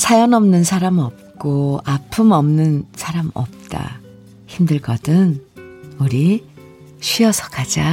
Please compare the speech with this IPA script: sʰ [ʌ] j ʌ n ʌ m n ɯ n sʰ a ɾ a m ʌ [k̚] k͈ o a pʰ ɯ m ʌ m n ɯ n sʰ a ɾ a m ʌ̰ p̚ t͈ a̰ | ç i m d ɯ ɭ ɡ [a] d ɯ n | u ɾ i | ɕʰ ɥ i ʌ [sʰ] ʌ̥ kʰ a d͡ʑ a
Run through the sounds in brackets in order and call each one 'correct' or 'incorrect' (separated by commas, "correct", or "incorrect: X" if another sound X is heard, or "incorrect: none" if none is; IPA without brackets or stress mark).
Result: incorrect: a, incorrect: p̚, incorrect: ʌ, correct